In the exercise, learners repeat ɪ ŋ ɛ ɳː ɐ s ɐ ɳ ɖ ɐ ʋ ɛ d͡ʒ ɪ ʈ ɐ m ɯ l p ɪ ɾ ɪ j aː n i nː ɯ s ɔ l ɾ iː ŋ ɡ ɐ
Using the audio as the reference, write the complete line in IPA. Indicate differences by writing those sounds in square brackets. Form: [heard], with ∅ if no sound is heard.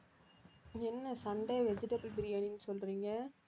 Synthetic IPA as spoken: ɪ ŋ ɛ [nː] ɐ s ɐ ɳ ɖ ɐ ʋ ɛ d͡ʒ ɪ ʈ ɐ [b] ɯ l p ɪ ɾ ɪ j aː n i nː ɯ s ɔ l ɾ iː ŋ ɡ ɐ